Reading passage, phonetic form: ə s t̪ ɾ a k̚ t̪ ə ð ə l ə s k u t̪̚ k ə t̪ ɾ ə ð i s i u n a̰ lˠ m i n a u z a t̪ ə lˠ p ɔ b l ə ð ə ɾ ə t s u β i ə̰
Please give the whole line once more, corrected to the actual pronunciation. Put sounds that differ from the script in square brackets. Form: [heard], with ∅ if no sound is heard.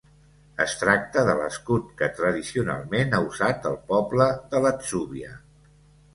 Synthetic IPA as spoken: ə s t̪ ɾ a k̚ t̪ ə ð ə l ə s k u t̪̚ k ə t̪ ɾ ə ð i s i u n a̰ lˠ m [e] n a u z a t̪ ə lˠ p ɔ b l ə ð ə [l] ə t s u β i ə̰